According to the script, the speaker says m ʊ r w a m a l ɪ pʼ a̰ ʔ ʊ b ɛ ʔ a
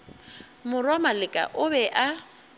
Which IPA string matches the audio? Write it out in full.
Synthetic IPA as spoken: m ʊ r w a m a l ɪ kʼ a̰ ʔ ʊ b ɛ ʔ a